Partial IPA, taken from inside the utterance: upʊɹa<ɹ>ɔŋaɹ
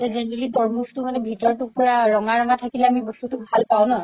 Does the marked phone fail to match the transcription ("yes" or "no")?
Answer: no